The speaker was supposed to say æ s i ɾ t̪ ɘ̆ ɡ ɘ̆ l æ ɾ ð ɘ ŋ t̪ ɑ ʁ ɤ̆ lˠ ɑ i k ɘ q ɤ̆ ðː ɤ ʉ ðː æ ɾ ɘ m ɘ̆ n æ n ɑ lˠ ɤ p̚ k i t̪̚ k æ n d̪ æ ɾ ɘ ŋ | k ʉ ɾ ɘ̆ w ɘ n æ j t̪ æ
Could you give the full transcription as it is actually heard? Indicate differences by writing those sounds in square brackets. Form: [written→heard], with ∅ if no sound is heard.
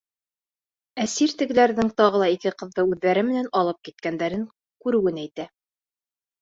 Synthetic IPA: æ s i ɾ t̪ ɘ̆ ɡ ɘ̆ l æ ɾ ð ɘ ŋ t̪ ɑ ʁ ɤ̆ lˠ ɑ i k ɘ q ɤ̆ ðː ɤ ʉ ðː æ ɾ ɘ m ɘ̆ n æ n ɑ lˠ ɤ p̚ k i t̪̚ k æ n d̪ æ ɾ ɘ ŋ | k ʉ ɾ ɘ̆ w ɘ n æ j t̪ æ